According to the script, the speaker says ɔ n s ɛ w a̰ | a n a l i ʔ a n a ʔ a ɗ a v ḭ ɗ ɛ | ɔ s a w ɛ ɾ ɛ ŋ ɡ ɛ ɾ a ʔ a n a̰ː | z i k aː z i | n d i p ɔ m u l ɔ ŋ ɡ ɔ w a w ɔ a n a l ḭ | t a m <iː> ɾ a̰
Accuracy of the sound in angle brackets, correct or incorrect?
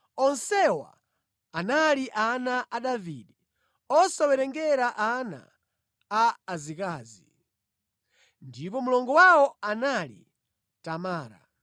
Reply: incorrect